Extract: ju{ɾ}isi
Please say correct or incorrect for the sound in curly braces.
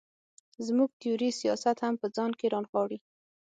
correct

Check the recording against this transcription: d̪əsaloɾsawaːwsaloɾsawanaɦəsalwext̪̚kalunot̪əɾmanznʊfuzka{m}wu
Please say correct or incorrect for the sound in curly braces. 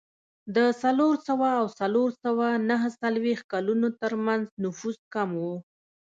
correct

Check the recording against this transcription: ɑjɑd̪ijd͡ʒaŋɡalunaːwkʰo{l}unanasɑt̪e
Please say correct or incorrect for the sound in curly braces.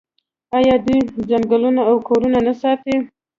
incorrect: ɾ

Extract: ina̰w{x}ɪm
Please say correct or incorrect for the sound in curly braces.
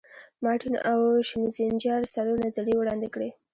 incorrect: ʃ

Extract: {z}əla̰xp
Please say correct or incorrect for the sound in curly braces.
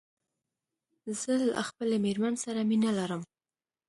correct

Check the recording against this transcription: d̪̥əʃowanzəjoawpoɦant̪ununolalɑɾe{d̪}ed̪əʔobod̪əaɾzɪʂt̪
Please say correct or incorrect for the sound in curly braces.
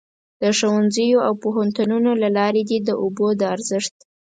correct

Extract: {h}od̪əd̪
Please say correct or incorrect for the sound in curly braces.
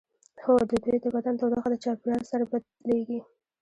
correct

